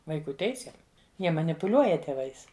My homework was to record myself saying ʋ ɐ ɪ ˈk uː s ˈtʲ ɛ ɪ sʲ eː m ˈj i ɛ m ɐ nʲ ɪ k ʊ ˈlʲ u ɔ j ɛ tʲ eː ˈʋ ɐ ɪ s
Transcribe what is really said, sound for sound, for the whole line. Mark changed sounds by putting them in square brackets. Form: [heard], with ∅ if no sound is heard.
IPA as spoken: ʋ ɐ ɪ ˈk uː [∅] ˈtʲ ɛ ɪ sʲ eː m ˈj i ɛ m ɐ nʲ ɪ [p] ʊ ˈlʲ u ɔ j ɛ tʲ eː ˈʋ ɐ ɪ s